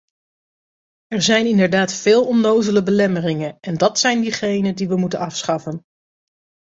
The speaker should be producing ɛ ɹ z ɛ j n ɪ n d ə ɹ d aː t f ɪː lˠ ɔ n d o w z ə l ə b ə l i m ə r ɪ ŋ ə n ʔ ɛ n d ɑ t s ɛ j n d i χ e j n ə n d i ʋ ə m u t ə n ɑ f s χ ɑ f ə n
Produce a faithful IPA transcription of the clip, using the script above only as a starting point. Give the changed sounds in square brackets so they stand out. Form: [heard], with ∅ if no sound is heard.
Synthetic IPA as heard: ɛ ɹ z ɛ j n ɪ n d ə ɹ d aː t f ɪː lˠ ɔ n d o w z ə l ə b ə l [ɛ] m ə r ɪ ŋ ə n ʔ ɛ n d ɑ t s ɛ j n d i χ e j n ə n d i ʋ ə m u t ə n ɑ f s χ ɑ f ə n